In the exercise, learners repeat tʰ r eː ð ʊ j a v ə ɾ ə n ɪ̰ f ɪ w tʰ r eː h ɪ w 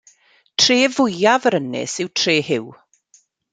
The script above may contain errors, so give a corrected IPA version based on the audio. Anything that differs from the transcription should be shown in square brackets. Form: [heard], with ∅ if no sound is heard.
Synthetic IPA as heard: tʰ r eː [v] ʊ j a v ə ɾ ə n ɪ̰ [s] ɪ w tʰ r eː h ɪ w